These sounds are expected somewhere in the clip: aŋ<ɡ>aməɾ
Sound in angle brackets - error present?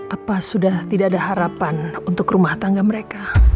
no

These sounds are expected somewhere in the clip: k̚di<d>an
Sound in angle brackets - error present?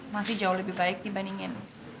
yes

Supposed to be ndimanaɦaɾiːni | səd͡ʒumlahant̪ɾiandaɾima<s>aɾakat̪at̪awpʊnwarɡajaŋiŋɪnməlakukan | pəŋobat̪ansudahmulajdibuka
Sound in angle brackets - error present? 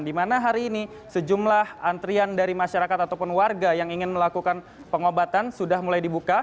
yes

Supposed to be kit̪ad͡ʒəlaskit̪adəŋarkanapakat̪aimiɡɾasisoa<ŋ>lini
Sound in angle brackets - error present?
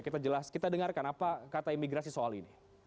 yes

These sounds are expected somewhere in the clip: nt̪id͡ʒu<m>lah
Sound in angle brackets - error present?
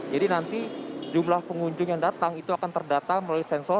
no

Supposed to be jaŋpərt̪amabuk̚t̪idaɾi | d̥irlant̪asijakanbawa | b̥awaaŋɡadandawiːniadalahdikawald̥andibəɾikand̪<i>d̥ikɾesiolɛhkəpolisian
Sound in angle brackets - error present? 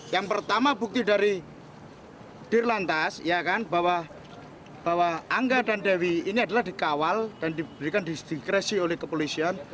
no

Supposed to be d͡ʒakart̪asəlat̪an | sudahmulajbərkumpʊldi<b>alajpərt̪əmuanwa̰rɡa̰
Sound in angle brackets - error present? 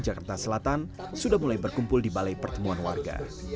no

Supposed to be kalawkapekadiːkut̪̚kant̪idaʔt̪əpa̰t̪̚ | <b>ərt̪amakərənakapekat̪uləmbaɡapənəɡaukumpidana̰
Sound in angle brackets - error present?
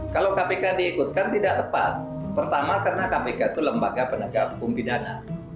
yes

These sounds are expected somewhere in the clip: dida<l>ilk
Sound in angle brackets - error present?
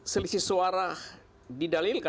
no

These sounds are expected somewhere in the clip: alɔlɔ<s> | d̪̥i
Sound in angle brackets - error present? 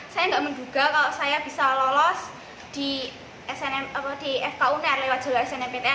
no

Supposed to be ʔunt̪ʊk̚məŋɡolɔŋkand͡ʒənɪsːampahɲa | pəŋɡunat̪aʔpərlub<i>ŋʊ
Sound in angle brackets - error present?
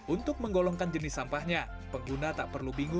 no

